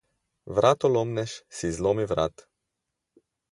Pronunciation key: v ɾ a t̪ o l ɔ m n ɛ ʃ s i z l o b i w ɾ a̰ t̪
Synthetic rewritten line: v ɾ a t̪ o l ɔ m n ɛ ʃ s i z l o m i v ɾ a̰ t̪